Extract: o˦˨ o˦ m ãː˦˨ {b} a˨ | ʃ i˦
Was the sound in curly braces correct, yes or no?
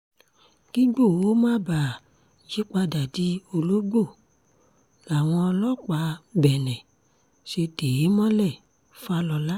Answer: yes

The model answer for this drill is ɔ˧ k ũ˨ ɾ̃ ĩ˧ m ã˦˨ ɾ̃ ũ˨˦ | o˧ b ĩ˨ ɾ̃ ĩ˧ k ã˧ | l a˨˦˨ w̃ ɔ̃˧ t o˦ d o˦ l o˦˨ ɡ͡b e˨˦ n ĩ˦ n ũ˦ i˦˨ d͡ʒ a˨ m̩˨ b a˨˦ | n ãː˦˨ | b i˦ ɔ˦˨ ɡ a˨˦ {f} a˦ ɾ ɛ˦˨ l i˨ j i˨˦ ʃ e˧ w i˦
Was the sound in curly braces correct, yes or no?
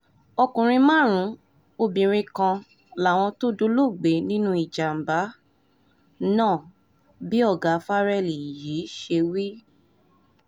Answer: yes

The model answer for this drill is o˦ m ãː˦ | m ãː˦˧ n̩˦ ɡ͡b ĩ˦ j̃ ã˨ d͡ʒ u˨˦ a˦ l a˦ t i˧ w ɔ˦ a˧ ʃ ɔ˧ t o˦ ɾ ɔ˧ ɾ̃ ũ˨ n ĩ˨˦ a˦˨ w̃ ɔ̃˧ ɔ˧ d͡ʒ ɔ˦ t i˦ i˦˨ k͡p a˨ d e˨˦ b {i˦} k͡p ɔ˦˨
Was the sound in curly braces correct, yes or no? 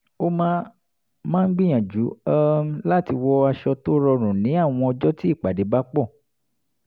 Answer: no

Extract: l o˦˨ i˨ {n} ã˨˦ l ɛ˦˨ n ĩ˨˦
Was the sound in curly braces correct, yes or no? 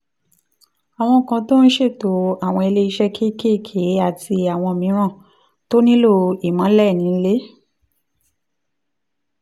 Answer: no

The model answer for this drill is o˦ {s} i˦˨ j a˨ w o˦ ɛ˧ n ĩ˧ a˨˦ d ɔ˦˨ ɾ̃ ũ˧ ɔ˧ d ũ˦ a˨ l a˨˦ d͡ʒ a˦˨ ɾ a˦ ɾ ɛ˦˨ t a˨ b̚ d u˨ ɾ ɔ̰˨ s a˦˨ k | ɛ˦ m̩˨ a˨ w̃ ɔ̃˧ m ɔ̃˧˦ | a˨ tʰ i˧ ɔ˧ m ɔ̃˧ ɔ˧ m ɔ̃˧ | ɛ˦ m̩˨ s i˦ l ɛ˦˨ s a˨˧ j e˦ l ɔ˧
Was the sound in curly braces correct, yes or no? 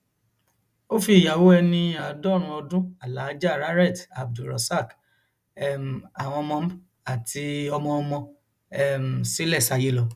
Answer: no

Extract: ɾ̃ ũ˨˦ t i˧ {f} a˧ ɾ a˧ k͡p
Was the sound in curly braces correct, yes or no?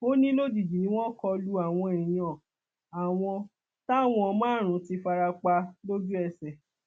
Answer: yes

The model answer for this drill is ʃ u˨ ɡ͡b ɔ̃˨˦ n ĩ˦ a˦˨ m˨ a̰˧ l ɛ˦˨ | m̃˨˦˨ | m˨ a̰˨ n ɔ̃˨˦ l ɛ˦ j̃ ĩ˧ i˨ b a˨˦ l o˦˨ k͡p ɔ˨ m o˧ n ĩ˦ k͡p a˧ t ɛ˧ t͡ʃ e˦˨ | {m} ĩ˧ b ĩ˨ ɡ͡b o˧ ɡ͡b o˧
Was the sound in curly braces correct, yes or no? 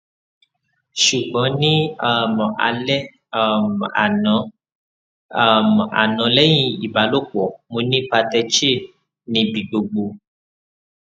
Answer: no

